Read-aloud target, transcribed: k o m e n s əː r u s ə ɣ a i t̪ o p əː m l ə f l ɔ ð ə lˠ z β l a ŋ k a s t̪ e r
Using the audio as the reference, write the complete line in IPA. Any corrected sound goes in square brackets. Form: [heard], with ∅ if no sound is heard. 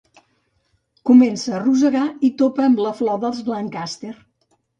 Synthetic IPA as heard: k [u] m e n s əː r u [z] ə ɣ a i t̪ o p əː m l ə f l ɔ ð ə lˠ z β l a ŋ k a s t̪ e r